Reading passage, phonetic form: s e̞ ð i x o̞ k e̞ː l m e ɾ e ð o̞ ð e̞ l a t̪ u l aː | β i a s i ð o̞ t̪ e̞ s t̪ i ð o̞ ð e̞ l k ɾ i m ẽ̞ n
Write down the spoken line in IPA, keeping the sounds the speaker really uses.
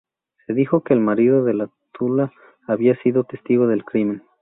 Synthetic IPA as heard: s e̞ ð i x o̞ k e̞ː l m a ɾ i ð o̞ ð e̞ l a t̪ u l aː | β i a s i ð o̞ t̪ e̞ s t̪ i ɣ o̞ ð e̞ l k ɾ i m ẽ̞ n

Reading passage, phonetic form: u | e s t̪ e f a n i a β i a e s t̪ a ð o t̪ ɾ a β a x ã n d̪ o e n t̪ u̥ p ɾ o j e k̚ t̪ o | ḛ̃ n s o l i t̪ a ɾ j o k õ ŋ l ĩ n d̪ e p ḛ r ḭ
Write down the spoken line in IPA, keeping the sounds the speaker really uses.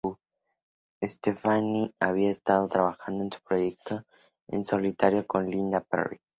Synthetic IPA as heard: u | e s t̪ e f a n i a β i a e s t̪ a ð o t̪ ɾ a β a x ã n d̪ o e n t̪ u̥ p ɾ o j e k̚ t̪ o | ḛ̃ n s o l i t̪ a ɾ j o k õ n l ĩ n d̪ a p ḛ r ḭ

